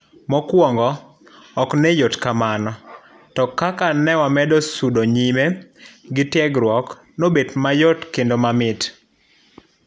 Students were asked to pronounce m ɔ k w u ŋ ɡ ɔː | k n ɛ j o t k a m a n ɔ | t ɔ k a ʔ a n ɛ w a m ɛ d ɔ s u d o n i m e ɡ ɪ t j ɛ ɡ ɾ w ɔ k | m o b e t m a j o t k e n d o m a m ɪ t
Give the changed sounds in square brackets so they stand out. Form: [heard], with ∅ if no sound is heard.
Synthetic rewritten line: m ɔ k w [ɔ] ŋ ɡ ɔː | k n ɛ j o t k a m a n ɔ | t ɔ k a [k] a n ɛ w a m ɛ d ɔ s u d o [ɲ] i m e ɡ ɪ t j ɛ ɡ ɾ w ɔ k | [n] o b e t m a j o t k e n d o m a m ɪ t